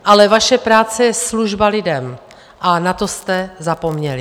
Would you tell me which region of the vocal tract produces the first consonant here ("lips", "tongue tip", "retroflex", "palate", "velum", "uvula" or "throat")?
throat